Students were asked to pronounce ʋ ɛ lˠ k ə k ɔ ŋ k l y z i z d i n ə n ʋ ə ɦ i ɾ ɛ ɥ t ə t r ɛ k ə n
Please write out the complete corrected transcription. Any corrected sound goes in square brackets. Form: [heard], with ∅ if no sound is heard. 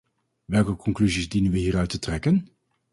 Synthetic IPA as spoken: ʋ ɛ lˠ k ə k ɔ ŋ k l y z i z d i n ə n ʋ ə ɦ [iː] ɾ [œ] ɥ t ə t r ɛ k ə n